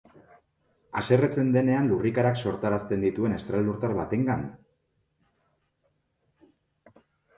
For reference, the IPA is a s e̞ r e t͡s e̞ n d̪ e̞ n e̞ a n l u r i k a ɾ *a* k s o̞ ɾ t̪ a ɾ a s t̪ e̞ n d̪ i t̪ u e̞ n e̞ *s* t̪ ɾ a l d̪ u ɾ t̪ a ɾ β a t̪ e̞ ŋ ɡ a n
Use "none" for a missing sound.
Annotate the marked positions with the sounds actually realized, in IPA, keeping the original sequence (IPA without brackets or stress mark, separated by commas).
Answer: a, s